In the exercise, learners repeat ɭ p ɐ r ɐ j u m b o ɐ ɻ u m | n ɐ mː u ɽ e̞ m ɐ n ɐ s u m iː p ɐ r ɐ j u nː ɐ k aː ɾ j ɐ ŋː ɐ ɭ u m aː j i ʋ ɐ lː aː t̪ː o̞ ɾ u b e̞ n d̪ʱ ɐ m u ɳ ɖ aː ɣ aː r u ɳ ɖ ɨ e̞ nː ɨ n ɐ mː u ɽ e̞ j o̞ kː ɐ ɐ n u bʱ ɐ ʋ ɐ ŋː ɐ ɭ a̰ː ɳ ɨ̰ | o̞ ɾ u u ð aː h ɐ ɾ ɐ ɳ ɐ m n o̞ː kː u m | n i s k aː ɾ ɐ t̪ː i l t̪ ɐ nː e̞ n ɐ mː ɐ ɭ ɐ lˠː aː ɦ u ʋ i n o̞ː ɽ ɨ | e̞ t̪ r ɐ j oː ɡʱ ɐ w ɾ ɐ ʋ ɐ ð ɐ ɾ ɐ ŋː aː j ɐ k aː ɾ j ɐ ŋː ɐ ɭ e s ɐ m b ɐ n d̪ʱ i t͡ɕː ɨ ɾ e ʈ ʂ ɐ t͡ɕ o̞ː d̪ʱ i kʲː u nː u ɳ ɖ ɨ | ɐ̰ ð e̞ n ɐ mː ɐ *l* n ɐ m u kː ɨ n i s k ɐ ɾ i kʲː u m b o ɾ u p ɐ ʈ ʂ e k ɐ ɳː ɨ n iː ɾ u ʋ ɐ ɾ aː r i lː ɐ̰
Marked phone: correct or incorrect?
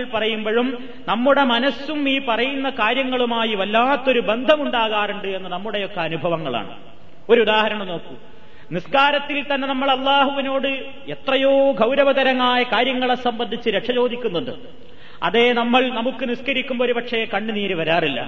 incorrect